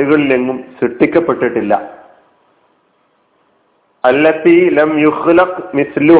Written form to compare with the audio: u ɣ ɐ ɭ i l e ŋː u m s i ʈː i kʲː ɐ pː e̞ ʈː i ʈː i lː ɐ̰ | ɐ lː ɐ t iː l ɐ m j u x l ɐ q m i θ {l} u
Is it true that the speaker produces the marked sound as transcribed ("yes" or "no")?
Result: yes